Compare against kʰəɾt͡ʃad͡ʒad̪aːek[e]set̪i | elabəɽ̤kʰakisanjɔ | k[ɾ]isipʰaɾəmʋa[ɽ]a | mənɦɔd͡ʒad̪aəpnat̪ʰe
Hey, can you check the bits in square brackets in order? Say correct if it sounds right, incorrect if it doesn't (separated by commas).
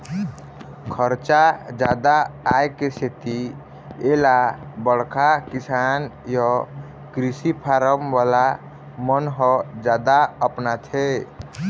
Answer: correct, correct, incorrect